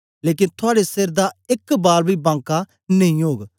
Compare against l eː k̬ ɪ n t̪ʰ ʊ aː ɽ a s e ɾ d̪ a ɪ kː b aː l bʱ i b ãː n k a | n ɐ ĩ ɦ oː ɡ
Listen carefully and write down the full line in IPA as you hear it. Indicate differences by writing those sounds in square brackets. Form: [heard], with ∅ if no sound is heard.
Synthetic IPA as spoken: l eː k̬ ɪ n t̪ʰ ʊ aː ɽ [e] s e ɾ d̪ a ɪ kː b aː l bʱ i b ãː [ŋ] k a | n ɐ ĩ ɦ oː ɡ